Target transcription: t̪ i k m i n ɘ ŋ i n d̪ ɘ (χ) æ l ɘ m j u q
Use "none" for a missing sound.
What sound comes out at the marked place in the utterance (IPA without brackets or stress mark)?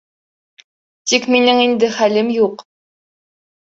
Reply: χ